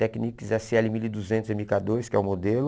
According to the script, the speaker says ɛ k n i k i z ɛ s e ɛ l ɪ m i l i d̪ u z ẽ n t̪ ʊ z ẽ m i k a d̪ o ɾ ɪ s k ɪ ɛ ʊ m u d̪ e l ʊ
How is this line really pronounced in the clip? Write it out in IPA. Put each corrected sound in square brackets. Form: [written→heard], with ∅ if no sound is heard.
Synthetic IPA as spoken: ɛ k n i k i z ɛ s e ɛ l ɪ m i l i d̪ u z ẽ n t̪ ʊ z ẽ m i k a d̪ o ɾ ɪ s k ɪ ɛ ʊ m [u→o] d̪ e l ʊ